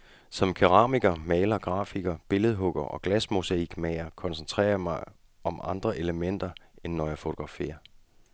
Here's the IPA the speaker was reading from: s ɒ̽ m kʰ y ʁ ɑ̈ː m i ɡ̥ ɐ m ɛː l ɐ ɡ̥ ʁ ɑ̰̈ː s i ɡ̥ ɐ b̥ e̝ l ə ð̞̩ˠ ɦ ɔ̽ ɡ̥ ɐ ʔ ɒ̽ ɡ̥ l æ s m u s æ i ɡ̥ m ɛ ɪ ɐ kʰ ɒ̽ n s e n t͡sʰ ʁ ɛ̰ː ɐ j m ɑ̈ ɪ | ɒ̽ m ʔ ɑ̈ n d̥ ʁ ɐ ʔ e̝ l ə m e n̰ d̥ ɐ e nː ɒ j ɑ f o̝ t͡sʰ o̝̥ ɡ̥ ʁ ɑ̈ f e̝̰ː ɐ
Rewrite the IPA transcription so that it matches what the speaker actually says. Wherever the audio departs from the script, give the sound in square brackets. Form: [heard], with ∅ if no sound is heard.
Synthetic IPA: s ɒ̽ m kʰ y ʁ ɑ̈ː m i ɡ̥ ɐ m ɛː l ɐ ɡ̥ ʁ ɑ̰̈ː [f] i ɡ̥ ɐ b̥ e̝ l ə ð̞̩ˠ ɦ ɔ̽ ɡ̥ ɐ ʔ ɒ̽ ɡ̥ l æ s m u s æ i ɡ̥ m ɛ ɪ ɐ kʰ ɒ̽ n s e n t͡sʰ ʁ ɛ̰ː ɐ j m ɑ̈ ɪ | ɒ̽ m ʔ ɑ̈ n d̥ ʁ ɐ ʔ e̝ l ə m e n̰ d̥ ɐ e nː ɒ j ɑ f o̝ t͡sʰ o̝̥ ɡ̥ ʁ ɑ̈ f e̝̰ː ɐ